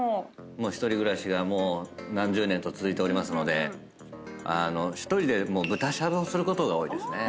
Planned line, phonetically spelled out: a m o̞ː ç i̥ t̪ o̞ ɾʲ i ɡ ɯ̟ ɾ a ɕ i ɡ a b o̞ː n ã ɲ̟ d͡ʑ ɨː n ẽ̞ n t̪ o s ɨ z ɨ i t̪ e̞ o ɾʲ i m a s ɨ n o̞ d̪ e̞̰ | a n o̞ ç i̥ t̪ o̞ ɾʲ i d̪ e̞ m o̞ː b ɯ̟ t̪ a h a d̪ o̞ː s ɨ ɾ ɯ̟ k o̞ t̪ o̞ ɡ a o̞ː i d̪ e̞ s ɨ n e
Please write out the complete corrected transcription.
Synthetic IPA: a m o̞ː ç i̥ t̪ o̞ ɾʲ i ɡ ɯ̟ ɾ a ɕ i ɡ a m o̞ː n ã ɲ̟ d͡ʑ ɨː n ẽ̞ n t̪ o t͡s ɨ z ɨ i t̪ e̞ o ɾʲ i m a s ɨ n o̞ d̪ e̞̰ | a n o̞ ç i̥ t̪ o̞ ɾʲ i d̪ e̞ m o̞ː b ɯ̟ t̪ a ɕ a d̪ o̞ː s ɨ ɾ ɯ̟ k o̞ t̪ o̞ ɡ a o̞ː i d̪ e̞ s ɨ n e